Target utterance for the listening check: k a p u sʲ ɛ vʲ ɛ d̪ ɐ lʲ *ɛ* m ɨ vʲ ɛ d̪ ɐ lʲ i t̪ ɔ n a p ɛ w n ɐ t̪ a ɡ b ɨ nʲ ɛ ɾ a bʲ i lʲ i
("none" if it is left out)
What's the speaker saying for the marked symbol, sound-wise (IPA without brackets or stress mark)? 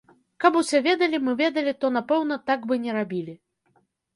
i